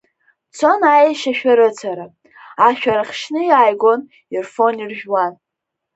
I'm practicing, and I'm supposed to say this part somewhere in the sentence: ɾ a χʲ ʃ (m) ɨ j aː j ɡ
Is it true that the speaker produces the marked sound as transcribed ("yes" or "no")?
no